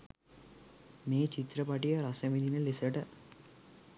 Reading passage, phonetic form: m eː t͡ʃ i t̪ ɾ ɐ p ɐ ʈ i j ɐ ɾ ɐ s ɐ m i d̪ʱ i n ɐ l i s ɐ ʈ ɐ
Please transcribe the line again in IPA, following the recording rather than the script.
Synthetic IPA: m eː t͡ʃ i t̪ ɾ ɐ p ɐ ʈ i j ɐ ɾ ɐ s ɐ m i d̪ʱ i n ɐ l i s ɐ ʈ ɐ